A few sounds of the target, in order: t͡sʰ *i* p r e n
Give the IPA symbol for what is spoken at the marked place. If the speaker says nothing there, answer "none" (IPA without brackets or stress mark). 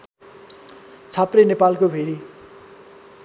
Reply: a